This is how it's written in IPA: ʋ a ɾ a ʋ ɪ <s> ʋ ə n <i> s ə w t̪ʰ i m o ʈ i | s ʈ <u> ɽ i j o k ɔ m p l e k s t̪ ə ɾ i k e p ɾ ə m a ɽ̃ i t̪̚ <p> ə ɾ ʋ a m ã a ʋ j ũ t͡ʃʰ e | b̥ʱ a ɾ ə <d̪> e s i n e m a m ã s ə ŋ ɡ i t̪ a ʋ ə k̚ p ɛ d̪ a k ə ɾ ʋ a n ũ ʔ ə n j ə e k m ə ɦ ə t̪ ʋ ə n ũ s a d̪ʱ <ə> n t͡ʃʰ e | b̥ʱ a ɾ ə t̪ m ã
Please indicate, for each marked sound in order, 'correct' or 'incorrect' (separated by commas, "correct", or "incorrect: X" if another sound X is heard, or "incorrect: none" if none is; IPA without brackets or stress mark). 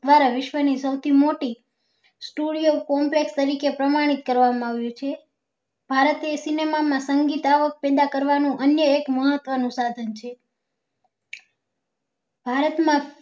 incorrect: ʃ, correct, correct, incorrect: k, incorrect: t̪, correct